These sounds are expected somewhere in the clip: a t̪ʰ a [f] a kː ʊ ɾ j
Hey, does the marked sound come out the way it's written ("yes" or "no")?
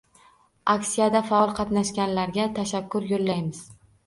no